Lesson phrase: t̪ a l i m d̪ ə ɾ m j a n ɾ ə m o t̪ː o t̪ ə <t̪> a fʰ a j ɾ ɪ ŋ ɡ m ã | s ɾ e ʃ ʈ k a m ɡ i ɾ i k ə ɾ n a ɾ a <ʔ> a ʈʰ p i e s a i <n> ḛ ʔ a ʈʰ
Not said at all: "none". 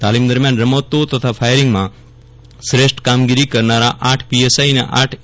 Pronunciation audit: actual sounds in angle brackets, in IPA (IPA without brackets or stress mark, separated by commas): t̪ʰ, ʔ, n